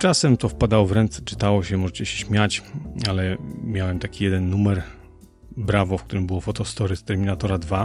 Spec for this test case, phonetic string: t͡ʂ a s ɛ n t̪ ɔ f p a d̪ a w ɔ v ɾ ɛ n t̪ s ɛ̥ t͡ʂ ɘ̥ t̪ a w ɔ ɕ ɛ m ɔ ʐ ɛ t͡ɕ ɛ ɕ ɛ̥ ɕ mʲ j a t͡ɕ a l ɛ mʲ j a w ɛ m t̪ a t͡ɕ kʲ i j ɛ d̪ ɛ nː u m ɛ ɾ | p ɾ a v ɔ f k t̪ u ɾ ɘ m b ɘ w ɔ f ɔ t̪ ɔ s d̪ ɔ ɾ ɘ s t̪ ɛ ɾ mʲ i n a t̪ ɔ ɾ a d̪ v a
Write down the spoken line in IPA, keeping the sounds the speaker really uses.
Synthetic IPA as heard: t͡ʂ a s ɛ m t̪ ɔ f p a d̪ a w ɔ v ɾ ɛ n t̪ s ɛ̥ t͡ʂ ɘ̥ t̪ a w ɔ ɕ ɛ m ɔ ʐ ɛ t͡ɕ ɛ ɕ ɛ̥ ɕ mʲ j a t͡ɕ a l ɛ mʲ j a w ɛ m t̪ a kʲ i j ɛ d̪ ɛ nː u m ɛ ɾ | b ɾ a v ɔ f k t̪ u ɾ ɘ m b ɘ w ɔ f ɔ t̪ ɔ s t̪ ɔ ɾ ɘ s t̪ ɛ ɾ mʲ i n a t̪ ɔ ɾ a d̪ v a